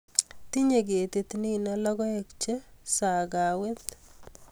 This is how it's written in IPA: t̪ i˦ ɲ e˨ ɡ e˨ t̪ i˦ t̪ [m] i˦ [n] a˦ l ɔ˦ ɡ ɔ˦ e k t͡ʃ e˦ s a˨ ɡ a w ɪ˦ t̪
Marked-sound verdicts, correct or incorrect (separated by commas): incorrect, correct